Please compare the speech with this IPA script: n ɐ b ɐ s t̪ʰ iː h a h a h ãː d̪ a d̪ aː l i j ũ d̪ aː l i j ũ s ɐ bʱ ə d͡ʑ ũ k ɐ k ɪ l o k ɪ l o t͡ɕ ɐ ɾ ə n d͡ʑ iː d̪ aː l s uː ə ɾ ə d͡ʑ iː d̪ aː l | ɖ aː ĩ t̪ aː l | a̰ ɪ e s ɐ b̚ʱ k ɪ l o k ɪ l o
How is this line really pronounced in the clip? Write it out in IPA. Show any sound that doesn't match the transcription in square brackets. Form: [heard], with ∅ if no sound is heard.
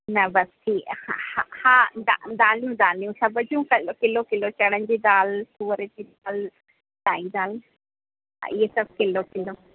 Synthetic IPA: n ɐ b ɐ s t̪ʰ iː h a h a h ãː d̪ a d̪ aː l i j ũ d̪ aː l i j ũ s ɐ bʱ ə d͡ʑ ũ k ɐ k ɪ l o k ɪ l o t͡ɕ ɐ [ɽ] ə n d͡ʑ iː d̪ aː l s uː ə ɾ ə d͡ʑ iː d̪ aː l | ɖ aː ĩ [d̪] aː l | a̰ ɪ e s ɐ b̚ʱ k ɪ l o k ɪ l o